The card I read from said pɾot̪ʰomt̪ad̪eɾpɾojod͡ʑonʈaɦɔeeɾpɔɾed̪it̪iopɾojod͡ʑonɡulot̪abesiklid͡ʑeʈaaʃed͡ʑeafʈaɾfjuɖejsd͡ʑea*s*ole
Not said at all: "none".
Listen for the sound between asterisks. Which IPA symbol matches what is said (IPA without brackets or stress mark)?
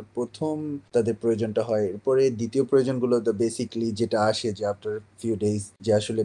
ʃ